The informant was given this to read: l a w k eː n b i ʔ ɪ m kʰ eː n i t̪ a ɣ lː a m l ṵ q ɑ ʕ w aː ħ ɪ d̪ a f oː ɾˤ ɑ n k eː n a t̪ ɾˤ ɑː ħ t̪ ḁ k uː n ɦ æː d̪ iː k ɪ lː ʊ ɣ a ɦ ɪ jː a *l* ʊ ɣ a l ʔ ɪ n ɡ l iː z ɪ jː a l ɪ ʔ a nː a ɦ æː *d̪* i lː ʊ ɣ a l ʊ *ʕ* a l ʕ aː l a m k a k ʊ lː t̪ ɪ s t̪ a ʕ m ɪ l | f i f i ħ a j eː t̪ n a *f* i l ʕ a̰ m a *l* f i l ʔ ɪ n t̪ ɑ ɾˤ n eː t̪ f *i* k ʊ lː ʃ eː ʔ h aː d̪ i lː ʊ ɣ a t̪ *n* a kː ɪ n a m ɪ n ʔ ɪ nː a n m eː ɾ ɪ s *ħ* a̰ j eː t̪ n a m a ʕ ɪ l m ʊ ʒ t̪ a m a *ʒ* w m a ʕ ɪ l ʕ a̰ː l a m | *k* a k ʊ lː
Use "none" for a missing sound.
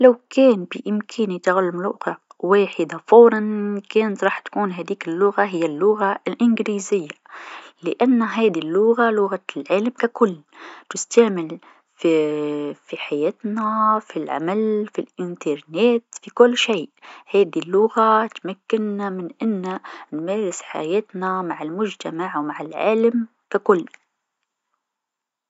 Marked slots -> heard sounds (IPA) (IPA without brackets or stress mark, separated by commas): lː, d̪, ɣ, f, l, i, m, ħ, ʕ, k